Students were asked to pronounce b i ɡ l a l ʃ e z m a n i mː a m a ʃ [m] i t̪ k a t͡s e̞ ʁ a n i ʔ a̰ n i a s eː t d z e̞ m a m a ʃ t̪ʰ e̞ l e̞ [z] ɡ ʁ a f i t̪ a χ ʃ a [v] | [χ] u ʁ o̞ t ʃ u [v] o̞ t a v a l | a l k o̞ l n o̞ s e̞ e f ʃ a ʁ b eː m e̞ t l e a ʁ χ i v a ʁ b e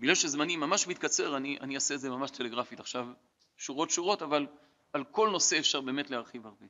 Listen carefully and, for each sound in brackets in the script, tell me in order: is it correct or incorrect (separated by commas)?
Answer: correct, incorrect, correct, incorrect, incorrect